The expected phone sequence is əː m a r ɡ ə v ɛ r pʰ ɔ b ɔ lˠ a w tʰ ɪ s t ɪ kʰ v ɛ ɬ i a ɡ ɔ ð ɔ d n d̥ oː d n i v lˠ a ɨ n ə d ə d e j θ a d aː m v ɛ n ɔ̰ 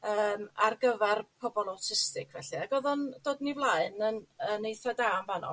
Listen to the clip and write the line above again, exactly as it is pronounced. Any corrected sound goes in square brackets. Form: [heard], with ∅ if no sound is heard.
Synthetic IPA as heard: əː m a r ɡ ə v ɛ r pʰ ɔ b ɔ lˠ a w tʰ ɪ s t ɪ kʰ v ɛ ɬ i a ɡ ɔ ð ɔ [∅] n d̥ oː d n i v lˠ a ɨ n ə [n] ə [n] e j θ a d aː m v [a] n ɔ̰

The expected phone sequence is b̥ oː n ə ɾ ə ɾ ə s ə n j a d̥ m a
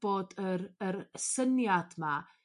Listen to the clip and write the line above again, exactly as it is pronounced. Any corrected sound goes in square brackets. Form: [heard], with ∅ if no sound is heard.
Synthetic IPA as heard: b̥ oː [d] ə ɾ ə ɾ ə s ə n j a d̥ m a

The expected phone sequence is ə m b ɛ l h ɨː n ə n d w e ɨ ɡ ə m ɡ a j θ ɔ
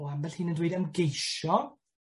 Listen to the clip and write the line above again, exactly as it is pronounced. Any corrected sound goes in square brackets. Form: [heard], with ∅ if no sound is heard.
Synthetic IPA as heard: [a] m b ɛ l h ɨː n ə n d w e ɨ [d] ə m ɡ [e] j [ʃ] ɔ

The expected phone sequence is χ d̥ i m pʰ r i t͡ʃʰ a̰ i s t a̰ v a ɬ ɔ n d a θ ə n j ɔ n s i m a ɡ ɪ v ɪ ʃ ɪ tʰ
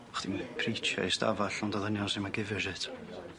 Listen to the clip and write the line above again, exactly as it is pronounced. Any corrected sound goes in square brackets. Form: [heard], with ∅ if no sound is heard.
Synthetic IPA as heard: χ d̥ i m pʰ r i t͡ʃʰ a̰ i s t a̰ v a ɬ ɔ n d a [ð] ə n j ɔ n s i m a ɡ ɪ v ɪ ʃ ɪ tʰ

